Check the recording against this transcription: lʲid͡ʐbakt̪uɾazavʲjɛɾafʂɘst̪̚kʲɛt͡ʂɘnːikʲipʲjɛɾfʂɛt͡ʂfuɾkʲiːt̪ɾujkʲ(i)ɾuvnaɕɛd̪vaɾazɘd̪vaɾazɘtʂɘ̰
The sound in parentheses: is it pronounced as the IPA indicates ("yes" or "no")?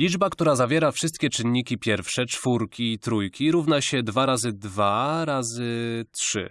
yes